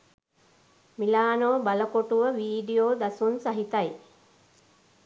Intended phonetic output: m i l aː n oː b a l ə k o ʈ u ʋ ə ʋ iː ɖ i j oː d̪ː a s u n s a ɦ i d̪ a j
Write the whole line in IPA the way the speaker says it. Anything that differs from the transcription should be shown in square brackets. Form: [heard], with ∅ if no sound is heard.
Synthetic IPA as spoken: m i l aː n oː b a l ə k o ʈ u ʋ ə ʋ iː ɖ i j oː [d̪] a s u n s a ɦ i [t̪] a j